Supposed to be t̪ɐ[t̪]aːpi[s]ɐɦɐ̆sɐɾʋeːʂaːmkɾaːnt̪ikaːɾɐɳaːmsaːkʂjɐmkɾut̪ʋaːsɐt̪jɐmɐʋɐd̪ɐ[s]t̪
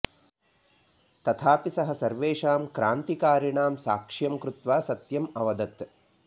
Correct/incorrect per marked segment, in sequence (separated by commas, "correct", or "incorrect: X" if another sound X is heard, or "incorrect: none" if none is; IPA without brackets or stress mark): incorrect: t̪ʰ, correct, incorrect: none